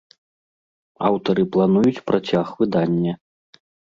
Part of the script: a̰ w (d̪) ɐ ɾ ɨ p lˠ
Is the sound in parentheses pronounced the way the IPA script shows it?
no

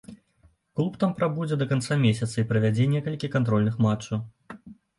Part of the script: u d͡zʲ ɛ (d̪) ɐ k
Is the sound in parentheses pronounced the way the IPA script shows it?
yes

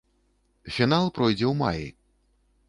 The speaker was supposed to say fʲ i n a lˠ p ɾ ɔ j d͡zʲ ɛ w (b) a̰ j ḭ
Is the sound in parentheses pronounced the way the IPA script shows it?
no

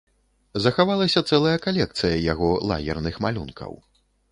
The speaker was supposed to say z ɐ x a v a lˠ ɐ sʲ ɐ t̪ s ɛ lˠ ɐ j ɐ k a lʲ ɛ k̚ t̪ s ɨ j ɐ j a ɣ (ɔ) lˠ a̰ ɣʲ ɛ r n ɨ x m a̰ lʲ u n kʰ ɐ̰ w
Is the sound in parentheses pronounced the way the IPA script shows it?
yes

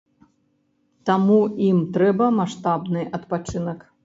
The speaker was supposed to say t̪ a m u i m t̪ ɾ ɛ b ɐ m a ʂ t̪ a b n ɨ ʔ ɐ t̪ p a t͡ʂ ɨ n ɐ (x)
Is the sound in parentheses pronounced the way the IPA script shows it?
no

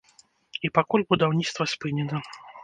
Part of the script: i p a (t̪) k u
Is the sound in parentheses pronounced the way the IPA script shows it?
no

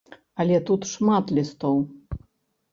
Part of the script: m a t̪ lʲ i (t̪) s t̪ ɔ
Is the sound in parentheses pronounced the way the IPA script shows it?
no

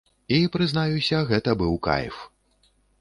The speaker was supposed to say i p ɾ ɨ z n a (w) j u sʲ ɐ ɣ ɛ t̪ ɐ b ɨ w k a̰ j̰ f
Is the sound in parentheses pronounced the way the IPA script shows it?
no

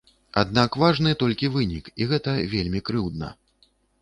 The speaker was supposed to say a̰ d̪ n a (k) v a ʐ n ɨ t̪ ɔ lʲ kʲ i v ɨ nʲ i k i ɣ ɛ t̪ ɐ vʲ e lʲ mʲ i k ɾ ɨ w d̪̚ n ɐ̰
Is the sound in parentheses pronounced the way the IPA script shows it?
yes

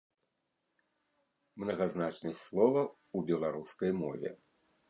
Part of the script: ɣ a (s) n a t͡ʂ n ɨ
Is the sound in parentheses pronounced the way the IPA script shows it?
no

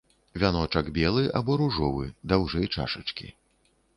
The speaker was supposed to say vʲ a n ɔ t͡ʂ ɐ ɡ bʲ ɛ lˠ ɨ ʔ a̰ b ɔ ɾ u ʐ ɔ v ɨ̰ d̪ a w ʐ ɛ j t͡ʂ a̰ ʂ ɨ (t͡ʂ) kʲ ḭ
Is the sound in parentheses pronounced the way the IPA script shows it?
yes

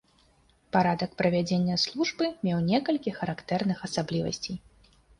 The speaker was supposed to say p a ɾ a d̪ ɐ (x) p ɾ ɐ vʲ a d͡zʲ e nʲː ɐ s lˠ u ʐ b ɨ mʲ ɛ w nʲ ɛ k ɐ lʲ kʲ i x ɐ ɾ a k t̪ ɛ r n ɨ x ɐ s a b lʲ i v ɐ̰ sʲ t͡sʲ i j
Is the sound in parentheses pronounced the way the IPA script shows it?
no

